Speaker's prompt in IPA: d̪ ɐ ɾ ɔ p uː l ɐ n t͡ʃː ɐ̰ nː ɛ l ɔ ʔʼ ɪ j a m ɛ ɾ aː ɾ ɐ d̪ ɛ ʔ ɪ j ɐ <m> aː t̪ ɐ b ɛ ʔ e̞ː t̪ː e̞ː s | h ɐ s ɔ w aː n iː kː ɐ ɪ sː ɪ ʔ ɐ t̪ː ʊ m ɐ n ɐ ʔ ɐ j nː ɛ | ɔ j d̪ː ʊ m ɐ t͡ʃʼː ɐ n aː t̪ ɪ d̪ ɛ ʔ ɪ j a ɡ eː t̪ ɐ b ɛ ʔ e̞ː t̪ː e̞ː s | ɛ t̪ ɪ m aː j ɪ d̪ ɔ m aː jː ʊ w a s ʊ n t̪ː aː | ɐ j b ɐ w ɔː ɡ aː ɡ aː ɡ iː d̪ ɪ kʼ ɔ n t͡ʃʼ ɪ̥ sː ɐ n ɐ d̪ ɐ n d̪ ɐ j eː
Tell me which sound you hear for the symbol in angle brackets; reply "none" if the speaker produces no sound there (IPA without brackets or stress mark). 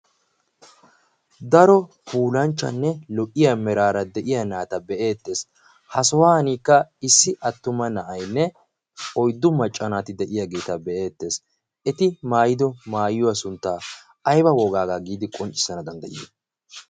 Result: n